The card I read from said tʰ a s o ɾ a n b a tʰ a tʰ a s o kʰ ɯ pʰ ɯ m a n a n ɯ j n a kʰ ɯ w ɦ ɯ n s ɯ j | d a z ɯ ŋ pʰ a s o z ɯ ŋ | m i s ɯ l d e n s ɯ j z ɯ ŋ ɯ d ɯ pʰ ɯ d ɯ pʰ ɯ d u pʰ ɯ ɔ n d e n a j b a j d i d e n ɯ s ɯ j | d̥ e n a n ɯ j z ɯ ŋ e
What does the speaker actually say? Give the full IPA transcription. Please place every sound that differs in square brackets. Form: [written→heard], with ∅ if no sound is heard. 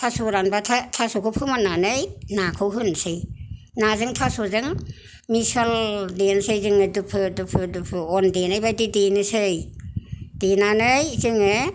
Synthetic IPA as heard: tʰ a s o ɾ a n b a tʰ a tʰ a s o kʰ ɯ pʰ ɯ m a n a n ɯ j n a kʰ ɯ w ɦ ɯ n s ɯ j | [d→n] a z ɯ ŋ [pʰ→tʰ] a s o z ɯ ŋ | m i s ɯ l d e n s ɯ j z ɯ ŋ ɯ d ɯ pʰ ɯ d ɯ pʰ ɯ d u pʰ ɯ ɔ n d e n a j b a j d i d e n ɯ s ɯ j | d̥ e n a n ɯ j z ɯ ŋ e